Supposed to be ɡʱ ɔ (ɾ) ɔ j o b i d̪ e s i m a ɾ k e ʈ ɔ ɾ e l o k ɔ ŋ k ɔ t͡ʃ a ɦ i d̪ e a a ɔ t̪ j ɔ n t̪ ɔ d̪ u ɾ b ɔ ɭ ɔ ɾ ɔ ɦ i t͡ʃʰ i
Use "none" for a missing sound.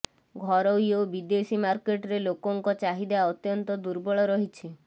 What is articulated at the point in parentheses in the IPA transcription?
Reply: ɾ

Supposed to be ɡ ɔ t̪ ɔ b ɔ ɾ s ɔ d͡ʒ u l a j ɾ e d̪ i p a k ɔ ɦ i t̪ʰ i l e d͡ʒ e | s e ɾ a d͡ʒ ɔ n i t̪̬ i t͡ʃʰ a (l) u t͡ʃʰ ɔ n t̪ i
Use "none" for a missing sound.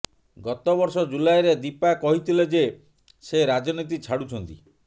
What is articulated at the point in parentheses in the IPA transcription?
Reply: ɽ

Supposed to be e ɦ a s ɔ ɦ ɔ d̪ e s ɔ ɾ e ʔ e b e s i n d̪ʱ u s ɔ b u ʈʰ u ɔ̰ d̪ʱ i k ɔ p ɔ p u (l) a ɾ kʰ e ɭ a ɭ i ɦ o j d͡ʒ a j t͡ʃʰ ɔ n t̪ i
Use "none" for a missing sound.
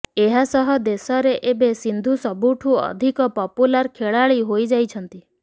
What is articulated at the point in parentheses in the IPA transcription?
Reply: l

